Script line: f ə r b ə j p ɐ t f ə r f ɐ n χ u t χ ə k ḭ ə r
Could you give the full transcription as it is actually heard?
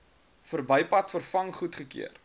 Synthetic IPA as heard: f ə r b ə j p ɐ t f ə r f ɐ ŋ χ u t χ ə k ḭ ə r